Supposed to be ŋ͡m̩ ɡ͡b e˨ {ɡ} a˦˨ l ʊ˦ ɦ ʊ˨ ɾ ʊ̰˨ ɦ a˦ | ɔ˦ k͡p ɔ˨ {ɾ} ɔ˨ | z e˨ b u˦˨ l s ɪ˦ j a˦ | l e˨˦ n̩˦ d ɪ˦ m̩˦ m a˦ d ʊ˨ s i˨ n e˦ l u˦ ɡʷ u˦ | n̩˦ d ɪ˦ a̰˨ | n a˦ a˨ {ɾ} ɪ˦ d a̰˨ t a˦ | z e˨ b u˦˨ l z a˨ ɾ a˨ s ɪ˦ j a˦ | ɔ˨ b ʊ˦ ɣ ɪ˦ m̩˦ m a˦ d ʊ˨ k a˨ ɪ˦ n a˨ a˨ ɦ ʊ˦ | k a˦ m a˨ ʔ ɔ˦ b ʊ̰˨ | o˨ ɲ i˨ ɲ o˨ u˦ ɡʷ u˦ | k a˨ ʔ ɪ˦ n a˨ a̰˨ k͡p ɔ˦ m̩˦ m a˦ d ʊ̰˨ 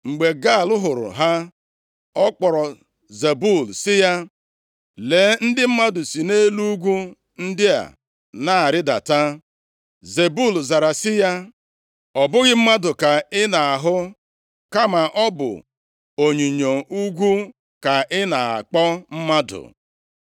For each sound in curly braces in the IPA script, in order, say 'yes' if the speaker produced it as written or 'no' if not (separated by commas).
yes, yes, yes